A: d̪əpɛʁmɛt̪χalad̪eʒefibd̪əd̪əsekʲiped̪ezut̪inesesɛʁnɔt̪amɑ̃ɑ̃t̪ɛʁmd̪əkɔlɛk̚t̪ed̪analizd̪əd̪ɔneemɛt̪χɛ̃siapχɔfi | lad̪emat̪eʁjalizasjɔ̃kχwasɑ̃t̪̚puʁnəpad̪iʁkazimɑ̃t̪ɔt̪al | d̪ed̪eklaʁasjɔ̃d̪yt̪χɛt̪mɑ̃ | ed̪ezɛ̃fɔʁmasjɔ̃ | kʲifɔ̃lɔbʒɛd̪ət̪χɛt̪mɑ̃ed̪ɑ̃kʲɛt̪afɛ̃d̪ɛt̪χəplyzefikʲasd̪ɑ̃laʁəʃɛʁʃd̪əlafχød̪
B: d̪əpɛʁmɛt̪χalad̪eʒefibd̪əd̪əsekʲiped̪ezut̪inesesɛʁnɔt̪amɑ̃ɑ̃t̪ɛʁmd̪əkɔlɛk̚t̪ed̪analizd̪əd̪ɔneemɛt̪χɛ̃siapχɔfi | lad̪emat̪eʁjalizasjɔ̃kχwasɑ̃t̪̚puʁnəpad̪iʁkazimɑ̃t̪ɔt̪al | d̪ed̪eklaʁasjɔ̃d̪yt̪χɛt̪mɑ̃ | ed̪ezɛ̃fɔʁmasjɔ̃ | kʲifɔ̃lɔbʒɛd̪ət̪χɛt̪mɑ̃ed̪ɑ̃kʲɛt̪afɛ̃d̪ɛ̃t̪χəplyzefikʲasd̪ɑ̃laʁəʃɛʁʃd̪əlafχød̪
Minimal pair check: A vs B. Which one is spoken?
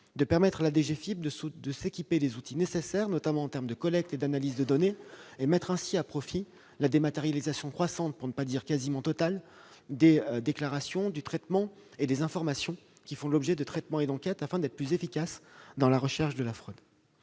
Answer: A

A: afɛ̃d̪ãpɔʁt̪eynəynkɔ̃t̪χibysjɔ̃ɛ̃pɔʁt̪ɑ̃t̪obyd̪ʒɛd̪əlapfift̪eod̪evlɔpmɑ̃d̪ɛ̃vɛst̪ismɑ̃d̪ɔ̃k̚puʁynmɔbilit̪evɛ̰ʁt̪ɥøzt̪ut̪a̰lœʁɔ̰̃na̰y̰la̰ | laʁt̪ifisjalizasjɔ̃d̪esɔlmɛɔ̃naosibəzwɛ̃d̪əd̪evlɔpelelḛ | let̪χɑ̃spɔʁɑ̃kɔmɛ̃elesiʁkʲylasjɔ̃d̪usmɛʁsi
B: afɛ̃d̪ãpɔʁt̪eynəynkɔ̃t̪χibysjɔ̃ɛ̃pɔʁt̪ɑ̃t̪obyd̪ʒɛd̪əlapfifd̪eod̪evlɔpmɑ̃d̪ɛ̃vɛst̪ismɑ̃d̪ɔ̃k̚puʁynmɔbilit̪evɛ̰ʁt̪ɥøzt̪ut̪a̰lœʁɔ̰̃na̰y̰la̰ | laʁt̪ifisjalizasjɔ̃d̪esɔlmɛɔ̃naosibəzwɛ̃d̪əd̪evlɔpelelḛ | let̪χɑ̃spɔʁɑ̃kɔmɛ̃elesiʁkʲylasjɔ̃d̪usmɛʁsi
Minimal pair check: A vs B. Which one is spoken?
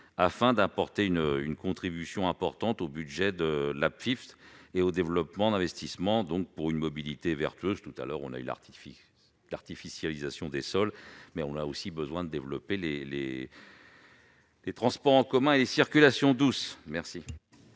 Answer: A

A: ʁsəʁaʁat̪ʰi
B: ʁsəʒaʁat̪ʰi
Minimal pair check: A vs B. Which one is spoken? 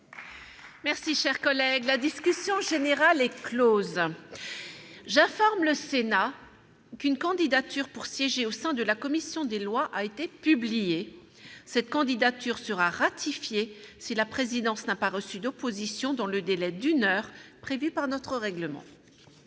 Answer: A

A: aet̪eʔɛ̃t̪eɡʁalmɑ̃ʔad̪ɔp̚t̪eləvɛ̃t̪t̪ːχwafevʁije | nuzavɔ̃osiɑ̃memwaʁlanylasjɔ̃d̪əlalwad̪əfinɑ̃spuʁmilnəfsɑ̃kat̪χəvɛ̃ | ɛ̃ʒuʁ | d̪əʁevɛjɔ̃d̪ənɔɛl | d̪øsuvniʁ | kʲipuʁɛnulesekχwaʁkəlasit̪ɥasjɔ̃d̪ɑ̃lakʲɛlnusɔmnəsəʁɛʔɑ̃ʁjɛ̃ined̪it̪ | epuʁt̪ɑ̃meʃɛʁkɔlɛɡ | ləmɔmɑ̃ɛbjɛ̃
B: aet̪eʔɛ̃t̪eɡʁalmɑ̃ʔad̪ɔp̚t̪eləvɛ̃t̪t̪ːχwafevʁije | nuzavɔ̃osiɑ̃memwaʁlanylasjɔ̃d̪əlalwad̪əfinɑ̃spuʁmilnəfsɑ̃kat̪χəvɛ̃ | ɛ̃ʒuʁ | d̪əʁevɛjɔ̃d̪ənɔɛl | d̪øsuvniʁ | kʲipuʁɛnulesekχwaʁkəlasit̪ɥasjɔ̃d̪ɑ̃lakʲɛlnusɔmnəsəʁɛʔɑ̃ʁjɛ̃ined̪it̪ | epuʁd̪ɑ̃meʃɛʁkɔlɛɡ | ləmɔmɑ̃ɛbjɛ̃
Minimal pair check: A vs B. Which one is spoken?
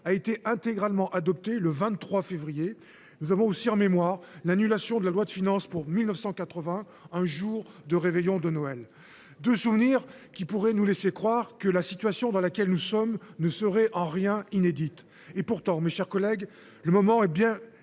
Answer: A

